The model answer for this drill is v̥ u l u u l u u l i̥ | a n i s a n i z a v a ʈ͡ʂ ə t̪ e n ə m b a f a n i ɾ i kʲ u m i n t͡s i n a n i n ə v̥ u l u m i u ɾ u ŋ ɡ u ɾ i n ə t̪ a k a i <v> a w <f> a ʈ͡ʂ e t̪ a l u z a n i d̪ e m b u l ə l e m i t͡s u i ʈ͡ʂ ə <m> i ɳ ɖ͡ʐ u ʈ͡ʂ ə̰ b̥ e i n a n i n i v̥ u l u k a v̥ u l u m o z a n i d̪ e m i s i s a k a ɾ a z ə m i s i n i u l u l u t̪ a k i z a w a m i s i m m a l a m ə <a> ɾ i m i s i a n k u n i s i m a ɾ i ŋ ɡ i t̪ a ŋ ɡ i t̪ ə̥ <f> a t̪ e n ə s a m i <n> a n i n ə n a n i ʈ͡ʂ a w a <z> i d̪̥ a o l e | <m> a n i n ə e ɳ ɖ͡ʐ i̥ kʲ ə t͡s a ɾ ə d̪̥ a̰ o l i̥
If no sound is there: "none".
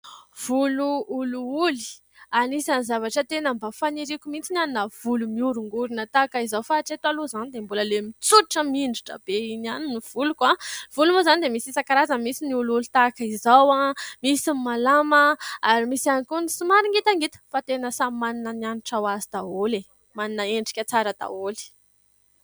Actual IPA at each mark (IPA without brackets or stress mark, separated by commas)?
z, f, m, a, f, m, z, m